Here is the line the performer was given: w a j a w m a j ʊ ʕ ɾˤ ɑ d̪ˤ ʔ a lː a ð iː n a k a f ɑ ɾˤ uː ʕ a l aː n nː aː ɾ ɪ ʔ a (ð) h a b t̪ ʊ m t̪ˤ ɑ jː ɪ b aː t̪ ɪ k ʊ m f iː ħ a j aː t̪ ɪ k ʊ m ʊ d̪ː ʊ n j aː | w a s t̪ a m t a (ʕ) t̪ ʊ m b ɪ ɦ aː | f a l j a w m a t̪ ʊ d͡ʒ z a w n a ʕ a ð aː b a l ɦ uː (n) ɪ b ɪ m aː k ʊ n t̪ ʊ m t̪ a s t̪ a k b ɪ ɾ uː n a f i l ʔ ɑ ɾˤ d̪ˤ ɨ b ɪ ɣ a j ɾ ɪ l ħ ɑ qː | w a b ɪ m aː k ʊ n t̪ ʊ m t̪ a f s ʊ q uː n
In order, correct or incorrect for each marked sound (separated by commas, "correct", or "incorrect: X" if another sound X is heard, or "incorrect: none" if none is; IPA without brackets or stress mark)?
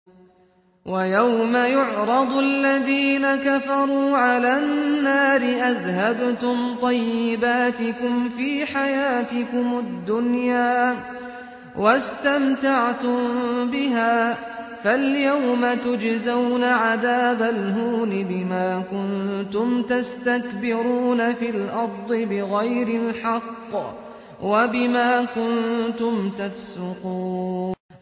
correct, correct, correct